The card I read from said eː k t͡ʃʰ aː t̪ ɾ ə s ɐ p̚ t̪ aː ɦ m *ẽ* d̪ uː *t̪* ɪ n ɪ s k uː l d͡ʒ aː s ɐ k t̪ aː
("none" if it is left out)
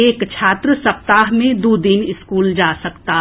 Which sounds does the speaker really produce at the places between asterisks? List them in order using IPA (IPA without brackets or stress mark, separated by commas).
ẽ, d̪